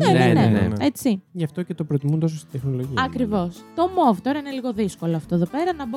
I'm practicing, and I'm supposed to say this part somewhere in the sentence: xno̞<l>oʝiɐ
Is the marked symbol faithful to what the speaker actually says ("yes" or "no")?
yes